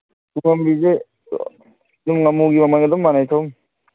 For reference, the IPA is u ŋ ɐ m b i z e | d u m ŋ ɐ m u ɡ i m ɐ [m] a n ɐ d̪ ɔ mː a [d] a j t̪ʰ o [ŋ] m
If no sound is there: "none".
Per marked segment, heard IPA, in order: m, n, none

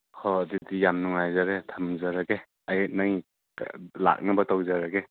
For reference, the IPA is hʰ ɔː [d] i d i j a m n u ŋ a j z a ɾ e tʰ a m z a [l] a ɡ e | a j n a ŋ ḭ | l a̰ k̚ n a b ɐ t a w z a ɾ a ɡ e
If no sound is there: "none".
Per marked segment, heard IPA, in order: d, ɾ

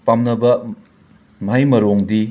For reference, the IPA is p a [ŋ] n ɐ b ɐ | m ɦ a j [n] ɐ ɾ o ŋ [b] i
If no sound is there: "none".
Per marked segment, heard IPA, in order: m, m, d

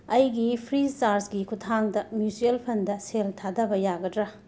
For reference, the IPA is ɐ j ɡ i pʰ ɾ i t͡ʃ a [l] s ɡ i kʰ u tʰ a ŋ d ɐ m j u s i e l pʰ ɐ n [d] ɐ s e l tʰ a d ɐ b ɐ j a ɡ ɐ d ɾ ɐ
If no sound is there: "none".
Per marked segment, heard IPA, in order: ɾ, d

